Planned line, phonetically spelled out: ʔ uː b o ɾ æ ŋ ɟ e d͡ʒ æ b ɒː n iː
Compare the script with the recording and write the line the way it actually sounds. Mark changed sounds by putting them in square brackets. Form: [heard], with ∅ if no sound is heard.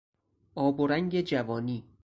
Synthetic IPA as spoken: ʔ [ɒː] b o ɾ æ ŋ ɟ e d͡ʒ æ [v] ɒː n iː